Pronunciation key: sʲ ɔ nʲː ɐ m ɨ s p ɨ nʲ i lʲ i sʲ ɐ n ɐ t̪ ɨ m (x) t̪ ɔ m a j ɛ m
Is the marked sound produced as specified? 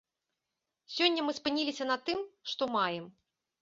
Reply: no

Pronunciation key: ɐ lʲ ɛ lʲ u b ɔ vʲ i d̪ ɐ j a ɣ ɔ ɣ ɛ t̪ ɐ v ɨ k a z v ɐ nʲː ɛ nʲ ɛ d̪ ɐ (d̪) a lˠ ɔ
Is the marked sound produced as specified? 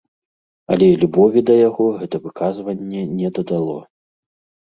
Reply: yes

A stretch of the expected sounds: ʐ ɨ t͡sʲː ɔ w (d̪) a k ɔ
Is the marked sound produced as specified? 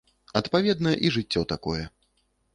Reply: no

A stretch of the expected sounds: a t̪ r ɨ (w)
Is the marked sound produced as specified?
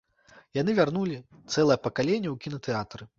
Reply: no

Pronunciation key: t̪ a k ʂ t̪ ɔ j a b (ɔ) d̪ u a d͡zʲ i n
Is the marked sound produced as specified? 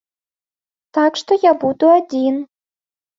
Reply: no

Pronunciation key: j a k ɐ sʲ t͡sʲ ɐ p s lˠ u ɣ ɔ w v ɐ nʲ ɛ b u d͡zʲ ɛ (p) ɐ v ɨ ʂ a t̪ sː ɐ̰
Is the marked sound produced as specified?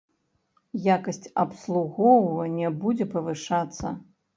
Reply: yes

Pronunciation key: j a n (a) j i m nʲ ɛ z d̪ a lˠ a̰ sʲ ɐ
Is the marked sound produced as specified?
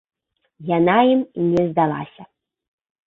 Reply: yes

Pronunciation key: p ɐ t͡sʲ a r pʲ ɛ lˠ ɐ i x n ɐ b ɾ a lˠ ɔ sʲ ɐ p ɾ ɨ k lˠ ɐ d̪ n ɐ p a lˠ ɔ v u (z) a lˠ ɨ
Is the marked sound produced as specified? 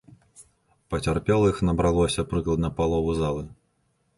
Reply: yes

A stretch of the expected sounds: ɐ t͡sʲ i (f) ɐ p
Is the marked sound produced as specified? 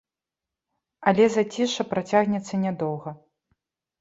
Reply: no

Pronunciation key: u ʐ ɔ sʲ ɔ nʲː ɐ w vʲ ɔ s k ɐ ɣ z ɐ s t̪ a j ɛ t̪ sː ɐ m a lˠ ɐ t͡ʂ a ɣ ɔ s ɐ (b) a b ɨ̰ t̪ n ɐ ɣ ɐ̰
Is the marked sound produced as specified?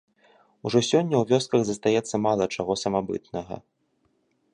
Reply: no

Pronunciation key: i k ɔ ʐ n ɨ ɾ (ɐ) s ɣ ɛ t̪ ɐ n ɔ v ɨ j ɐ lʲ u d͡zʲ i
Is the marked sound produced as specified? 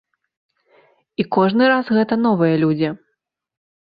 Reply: no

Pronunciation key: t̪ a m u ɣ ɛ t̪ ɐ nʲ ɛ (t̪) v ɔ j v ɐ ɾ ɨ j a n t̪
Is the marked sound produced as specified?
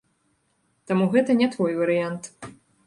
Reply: yes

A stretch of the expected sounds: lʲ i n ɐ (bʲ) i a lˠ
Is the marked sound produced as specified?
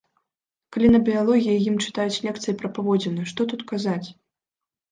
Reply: yes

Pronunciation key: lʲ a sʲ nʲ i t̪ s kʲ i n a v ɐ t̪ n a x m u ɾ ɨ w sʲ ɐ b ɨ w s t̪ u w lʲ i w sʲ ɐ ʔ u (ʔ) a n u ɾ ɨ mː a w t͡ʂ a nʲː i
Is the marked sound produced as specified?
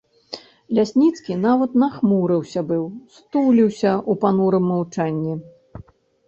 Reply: no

